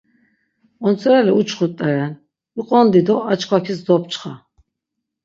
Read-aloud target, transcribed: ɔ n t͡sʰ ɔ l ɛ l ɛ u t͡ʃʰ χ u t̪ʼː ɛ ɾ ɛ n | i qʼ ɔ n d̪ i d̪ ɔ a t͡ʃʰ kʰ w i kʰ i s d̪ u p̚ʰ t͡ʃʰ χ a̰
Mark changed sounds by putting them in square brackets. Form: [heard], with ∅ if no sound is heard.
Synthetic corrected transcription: ɔ n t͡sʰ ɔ [ɾ] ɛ l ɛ u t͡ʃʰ χ u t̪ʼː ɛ ɾ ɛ n | i qʼ ɔ n d̪ i d̪ ɔ a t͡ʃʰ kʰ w [a] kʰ i s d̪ [ɔ] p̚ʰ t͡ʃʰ χ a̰